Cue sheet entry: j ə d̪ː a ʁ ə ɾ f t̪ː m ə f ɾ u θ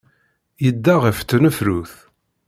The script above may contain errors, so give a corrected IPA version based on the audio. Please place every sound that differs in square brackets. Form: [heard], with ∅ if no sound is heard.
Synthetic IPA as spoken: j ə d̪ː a ʁ ə [∅] f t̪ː [n] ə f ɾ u θ